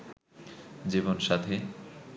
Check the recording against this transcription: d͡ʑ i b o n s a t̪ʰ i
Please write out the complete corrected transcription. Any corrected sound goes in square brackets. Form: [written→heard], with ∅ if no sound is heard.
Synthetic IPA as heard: d͡ʑ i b o n [s→ʃ] a t̪ʰ [i→e]